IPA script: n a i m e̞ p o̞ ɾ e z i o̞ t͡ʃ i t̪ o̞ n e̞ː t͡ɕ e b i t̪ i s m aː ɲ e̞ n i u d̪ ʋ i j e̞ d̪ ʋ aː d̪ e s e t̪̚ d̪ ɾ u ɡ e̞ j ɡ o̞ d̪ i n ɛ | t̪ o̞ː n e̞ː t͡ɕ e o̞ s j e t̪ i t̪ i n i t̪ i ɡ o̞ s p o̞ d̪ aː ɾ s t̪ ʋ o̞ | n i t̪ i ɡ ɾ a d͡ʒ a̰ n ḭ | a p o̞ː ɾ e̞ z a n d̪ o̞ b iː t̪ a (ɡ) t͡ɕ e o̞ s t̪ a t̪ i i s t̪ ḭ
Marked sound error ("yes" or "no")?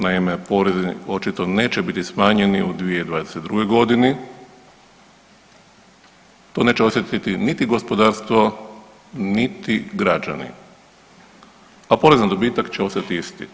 yes